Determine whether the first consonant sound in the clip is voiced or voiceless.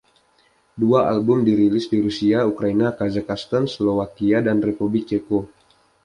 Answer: voiced